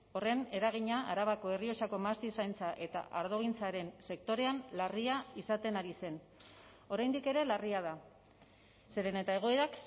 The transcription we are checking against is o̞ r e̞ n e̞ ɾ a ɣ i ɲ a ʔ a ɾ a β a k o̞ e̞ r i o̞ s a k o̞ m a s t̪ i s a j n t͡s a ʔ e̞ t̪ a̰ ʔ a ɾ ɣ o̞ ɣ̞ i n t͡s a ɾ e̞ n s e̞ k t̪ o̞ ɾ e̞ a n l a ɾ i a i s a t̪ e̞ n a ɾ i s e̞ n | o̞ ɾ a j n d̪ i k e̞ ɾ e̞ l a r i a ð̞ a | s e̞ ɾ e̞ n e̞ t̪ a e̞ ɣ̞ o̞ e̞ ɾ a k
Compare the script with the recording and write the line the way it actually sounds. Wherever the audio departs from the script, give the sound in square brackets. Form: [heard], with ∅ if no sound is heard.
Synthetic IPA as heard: o̞ r e̞ n e̞ ɾ a ɣ i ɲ a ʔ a ɾ a β a k o̞ e̞ r i o̞ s a k o̞ m a s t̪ i s a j n t͡s a ʔ e̞ t̪ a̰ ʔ a ɾ [ð] o̞ ɣ̞ i n t͡s a ɾ e̞ n s e̞ k t̪ o̞ ɾ e̞ a n l a [r] i a i s a t̪ e̞ n a ɾ i s e̞ n | o̞ ɾ a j n d̪ i k e̞ ɾ e̞ l a r i a ð̞ a | s e̞ ɾ e̞ n e̞ t̪ a e̞ ɣ̞ o̞ e̞ ɾ a k